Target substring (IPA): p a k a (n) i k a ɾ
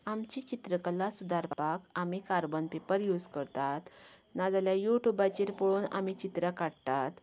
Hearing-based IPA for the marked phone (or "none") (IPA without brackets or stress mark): m